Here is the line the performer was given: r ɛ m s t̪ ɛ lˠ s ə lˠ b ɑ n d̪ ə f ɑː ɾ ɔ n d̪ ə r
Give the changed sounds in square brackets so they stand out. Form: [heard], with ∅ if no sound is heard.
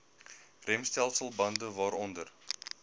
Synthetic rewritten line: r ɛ m s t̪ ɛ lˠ s ə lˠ b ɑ n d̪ ə [v] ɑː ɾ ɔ n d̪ ə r